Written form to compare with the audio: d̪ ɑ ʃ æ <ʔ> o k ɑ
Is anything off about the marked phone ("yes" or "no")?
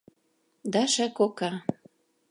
yes